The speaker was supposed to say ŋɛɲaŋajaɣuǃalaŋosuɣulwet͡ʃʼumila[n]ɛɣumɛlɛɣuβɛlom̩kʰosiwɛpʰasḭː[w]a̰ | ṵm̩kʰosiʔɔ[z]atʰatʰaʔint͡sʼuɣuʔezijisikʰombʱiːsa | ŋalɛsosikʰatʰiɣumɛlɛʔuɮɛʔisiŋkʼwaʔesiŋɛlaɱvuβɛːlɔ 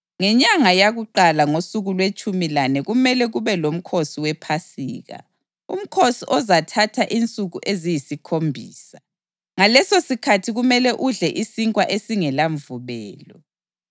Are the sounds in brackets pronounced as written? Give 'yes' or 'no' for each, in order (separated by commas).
yes, no, yes